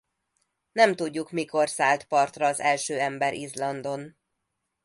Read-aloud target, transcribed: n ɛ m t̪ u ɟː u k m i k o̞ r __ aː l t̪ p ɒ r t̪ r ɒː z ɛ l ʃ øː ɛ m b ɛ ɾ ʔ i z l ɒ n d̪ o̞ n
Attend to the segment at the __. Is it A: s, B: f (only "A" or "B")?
A